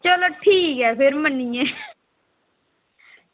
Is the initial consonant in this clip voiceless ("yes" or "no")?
yes